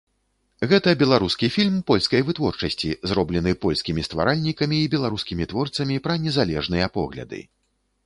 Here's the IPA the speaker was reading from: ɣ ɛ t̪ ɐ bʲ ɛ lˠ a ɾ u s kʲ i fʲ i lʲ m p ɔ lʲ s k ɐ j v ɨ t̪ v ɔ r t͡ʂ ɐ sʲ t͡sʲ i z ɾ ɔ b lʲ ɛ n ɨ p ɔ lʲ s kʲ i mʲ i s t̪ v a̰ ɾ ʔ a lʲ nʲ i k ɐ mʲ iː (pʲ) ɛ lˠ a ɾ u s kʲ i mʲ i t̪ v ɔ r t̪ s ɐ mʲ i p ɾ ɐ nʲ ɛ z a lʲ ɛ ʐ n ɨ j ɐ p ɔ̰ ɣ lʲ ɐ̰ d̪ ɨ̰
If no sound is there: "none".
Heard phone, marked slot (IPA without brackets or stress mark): bʲ